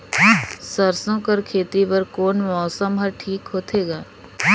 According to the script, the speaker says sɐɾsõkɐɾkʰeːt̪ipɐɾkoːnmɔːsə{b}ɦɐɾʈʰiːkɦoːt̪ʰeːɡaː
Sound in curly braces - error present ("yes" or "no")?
yes